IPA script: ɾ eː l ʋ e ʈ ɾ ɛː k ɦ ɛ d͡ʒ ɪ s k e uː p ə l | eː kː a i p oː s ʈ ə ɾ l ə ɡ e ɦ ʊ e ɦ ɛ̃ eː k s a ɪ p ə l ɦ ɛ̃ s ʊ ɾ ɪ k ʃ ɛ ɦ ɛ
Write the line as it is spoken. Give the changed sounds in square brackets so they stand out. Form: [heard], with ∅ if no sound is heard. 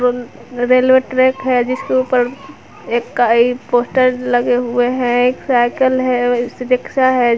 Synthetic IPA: ɾ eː l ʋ e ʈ ɾ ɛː k ɦ ɛ d͡ʒ ɪ s k e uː p ə [ɾ] | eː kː a i p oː s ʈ ə ɾ l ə ɡ e ɦ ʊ e ɦ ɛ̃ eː k s a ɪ [k] ə l ɦ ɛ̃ s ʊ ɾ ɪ k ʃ [a] ɦ ɛ